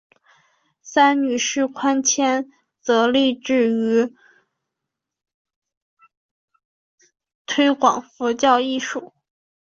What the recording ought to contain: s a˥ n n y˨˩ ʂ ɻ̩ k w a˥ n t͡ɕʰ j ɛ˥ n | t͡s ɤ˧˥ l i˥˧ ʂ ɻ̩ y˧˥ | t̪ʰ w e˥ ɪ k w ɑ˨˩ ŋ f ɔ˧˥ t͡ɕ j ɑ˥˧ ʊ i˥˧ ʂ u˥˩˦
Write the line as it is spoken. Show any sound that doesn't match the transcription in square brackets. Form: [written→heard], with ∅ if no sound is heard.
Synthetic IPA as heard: s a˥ n n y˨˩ ʂ ɻ̩ [k→kʰ] w a˥ n t͡ɕʰ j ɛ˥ n | t͡s ɤ˧˥ l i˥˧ [ʂ→ʈ͡ʂ] ɻ̩ y˧˥ | t̪ʰ w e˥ ɪ k w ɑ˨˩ ŋ f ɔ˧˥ t͡ɕ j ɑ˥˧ ʊ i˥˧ ʂ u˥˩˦